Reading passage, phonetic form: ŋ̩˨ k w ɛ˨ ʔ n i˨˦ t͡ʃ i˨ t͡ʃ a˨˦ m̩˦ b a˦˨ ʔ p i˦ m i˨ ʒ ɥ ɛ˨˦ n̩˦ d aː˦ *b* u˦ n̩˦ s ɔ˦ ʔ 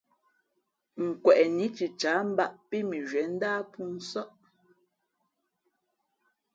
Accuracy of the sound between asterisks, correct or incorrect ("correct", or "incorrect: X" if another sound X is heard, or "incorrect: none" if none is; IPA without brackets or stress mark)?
incorrect: p